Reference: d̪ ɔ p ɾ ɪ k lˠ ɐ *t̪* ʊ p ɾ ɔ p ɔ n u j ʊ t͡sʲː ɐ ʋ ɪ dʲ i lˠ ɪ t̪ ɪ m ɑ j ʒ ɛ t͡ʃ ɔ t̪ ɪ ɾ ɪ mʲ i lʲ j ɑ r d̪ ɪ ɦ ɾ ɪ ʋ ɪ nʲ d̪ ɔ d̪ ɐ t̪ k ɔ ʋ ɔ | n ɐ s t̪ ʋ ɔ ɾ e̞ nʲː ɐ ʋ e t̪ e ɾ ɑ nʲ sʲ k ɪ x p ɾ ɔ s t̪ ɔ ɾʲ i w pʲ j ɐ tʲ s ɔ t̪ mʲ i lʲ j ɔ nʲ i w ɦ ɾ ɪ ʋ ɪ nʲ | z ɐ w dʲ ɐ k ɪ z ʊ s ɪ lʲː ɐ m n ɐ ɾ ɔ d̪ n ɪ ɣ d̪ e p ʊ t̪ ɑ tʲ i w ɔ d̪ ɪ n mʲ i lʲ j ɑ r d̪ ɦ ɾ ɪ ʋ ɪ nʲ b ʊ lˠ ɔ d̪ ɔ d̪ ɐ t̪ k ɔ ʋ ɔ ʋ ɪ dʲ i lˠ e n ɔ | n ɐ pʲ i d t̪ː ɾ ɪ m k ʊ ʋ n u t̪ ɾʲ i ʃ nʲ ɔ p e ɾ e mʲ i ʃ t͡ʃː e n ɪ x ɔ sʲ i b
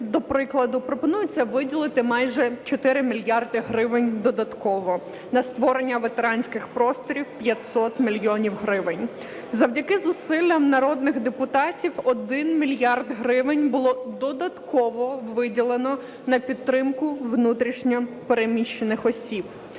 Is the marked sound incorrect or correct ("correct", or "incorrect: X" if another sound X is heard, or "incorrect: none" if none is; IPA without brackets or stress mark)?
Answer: incorrect: d̪